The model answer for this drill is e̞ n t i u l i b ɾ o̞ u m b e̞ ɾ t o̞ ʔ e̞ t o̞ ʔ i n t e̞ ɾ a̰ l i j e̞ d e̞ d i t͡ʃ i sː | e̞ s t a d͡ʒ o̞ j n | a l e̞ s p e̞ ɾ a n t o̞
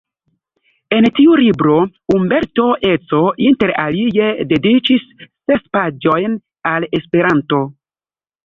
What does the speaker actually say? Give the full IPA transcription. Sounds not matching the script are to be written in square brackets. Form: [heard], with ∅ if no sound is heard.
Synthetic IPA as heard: e̞ n t i u l i b ɾ o̞ u m b e̞ ɾ t o̞ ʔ e̞ [t͡s] o̞ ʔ i n t e̞ ɾ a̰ l i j e̞ d e̞ d i t͡ʃ i sː | e̞ s [p] a d͡ʒ o̞ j n | a l e̞ s p e̞ ɾ a n t o̞